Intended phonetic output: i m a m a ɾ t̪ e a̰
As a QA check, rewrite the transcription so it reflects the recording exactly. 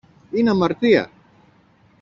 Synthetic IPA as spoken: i n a m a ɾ t̪ i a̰